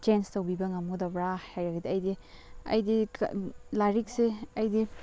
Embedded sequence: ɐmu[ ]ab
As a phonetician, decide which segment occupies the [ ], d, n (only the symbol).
d